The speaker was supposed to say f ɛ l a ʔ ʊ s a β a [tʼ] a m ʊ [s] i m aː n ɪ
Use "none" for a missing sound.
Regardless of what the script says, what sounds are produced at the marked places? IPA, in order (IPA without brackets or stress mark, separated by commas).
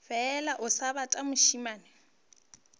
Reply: tʼ, ʃ